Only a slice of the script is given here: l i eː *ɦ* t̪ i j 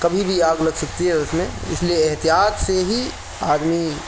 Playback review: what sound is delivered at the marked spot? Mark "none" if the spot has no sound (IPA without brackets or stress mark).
ɦ